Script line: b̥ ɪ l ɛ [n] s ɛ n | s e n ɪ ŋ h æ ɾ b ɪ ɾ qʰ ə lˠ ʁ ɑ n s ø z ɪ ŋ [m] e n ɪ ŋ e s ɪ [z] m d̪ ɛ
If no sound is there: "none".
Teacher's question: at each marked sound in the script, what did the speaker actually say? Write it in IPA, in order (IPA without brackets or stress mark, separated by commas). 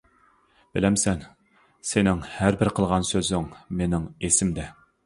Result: m, m, none